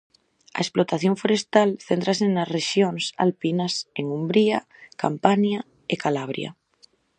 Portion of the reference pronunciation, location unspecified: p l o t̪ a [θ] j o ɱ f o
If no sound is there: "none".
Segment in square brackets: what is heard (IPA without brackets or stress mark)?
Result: θ